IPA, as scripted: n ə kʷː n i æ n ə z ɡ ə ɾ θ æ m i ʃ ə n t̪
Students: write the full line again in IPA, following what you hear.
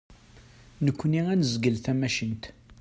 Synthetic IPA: n ə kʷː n i æ n ə z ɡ ə l θ æ m æ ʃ ə n t̪

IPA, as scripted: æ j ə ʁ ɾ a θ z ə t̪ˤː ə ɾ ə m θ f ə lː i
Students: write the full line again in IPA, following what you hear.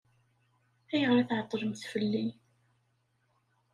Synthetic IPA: æ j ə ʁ ɾ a θ ʕ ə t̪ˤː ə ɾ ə m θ f ə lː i

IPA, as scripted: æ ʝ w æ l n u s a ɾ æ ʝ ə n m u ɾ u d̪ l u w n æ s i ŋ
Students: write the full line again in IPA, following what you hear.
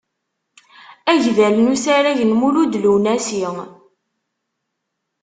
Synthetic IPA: æ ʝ v æ l n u s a ɾ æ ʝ ə n m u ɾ u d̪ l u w n æ s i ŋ

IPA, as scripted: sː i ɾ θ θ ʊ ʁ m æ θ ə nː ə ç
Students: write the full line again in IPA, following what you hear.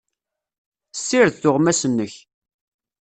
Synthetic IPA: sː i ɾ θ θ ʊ ʁ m æ s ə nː ə ç

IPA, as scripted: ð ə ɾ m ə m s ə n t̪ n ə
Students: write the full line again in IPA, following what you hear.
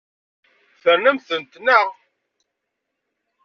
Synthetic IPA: θ ə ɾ n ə m θ ə n t̪ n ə

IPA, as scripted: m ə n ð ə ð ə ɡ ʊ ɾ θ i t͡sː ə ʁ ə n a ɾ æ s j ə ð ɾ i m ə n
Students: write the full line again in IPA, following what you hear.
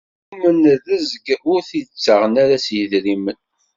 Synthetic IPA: m ə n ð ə z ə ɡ ʊ ɾ θ i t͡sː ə ʁ ə n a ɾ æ s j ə ð ɾ i m ə n

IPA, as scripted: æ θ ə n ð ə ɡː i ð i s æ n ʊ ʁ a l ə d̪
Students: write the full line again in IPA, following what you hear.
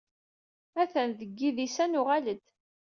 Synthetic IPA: æ θ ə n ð ə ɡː i ð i s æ n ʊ ʁ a l ə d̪

